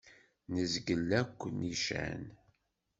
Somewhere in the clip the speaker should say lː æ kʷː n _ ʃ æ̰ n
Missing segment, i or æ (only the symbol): i